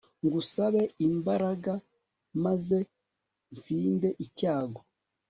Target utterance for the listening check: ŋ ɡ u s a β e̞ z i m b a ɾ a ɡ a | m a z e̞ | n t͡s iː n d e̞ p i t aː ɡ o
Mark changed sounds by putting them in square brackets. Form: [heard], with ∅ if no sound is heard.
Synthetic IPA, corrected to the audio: ŋ ɡ u s a β e̞ [∅] i m b a ɾ a ɡ a | m a z e̞ | n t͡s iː n d e̞ [ʔ] i [c] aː ɡ o